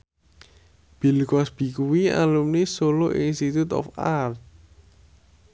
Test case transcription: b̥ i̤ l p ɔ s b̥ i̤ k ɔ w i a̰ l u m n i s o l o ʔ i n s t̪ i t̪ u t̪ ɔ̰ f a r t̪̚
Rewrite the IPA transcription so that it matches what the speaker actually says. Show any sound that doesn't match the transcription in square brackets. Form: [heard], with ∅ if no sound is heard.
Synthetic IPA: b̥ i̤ l [k] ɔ s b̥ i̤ k [u] w i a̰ l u m n i s o l o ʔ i n s t̪ i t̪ u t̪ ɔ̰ f a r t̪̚